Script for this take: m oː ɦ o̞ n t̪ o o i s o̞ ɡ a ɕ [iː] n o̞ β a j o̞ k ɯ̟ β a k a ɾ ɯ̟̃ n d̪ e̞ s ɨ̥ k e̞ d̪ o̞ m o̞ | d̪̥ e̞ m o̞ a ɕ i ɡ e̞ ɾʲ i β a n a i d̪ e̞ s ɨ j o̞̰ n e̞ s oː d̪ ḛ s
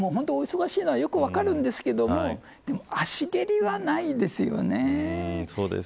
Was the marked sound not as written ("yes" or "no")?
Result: no